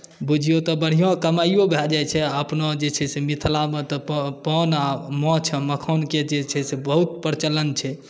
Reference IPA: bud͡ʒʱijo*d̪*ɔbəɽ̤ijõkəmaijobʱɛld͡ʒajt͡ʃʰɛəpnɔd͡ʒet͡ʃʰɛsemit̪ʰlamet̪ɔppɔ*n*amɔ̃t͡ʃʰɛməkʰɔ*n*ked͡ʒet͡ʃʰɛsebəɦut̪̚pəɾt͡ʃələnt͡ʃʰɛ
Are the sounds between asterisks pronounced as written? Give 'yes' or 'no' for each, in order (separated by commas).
no, yes, yes